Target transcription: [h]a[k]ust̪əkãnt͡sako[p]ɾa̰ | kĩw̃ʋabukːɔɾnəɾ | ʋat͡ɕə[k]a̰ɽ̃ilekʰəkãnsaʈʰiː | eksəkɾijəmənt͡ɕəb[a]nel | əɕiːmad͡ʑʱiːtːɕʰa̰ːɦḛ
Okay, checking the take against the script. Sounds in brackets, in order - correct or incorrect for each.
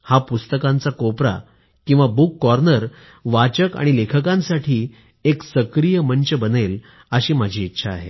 correct, incorrect, correct, correct, incorrect

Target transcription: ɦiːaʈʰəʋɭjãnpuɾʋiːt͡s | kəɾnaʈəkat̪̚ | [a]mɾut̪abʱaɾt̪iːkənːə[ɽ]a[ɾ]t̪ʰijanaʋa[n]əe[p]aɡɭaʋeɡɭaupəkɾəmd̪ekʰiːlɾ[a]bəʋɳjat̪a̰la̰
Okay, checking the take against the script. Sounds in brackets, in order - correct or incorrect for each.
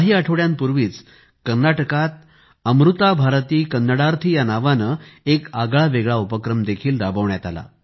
incorrect, correct, correct, correct, incorrect, correct

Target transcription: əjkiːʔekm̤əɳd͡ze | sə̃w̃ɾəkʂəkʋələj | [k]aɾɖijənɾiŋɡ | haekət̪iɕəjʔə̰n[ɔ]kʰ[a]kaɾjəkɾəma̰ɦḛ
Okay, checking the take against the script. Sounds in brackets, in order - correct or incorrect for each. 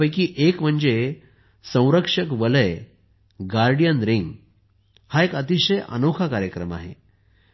incorrect, incorrect, correct

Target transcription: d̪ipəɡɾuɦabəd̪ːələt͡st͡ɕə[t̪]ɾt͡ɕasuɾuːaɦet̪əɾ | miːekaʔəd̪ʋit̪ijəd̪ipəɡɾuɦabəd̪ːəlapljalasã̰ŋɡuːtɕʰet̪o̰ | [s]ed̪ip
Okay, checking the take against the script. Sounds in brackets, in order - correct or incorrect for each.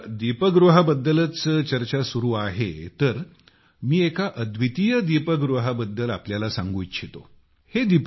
incorrect, incorrect

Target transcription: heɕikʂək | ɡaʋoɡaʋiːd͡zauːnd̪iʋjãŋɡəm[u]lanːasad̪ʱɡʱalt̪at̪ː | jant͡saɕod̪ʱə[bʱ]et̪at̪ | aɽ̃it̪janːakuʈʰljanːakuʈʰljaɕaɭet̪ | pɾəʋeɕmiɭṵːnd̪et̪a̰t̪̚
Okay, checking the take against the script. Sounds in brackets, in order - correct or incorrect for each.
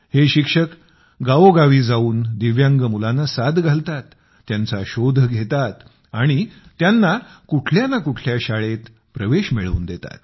correct, incorrect

